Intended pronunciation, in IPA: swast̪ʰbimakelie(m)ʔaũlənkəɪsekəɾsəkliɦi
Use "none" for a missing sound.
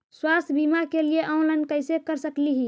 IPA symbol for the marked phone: none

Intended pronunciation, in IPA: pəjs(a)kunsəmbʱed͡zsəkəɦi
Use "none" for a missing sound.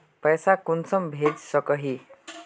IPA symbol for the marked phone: a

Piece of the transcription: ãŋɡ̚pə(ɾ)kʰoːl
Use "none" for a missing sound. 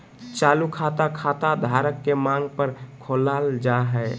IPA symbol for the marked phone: ɾ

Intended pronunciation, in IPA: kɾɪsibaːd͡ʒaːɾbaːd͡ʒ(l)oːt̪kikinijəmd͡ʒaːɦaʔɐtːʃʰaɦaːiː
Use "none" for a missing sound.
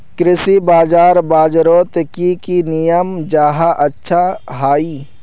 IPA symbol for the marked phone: ɾ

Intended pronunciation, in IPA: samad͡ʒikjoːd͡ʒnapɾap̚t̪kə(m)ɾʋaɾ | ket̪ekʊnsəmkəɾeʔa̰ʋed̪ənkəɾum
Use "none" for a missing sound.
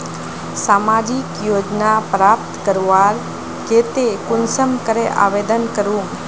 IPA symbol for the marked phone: none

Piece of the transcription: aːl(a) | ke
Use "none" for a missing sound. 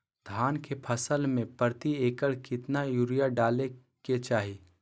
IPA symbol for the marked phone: e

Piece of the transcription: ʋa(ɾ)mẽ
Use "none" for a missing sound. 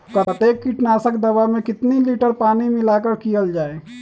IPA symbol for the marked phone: none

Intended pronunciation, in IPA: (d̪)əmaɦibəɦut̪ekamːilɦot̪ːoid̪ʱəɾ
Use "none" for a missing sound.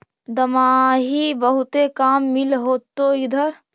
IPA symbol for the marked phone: d̪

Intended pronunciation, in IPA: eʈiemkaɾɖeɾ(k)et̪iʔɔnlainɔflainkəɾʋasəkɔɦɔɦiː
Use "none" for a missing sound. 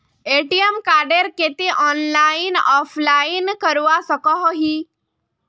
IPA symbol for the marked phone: k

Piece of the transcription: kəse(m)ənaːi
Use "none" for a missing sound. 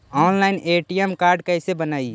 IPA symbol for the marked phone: b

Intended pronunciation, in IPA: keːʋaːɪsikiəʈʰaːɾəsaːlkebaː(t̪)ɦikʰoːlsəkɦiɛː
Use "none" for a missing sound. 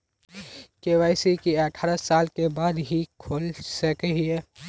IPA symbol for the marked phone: d̪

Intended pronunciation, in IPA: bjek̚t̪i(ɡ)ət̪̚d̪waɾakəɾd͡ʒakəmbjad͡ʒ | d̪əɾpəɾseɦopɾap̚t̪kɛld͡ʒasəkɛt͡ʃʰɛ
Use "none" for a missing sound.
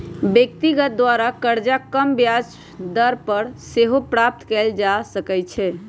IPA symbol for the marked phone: ɡ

